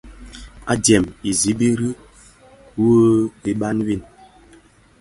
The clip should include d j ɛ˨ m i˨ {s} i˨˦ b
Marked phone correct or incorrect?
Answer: incorrect